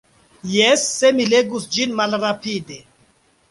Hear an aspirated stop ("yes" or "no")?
no